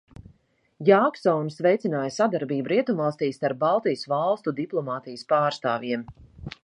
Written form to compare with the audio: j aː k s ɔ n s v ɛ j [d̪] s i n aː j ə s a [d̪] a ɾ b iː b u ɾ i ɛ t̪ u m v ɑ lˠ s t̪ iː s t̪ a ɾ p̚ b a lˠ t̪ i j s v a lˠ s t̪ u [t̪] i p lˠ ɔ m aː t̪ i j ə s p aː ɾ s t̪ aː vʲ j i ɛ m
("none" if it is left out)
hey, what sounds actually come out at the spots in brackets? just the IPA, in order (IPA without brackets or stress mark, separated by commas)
t̪, d̪, d̪